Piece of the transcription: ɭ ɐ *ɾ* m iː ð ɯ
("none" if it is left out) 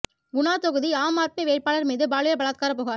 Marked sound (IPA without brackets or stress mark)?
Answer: ɾ